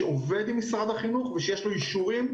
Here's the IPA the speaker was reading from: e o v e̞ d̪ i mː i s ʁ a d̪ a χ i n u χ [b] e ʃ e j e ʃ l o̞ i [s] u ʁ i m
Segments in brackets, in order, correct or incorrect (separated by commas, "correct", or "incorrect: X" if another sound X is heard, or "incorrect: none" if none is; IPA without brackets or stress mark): incorrect: v, incorrect: ʃ